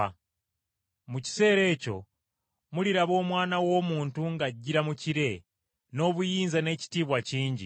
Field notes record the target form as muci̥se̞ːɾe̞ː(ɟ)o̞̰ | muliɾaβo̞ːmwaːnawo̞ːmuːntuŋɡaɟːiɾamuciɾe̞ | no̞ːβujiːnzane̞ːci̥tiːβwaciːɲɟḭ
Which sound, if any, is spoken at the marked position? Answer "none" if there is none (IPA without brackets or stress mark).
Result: c